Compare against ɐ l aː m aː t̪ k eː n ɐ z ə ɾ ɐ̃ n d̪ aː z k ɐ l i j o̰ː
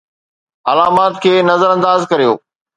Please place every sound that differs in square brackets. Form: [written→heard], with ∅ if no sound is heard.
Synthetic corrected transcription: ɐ l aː m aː t̪ [k→kʰ] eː n ɐ z ə ɾ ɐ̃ n d̪ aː z k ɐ [l→ɾ] i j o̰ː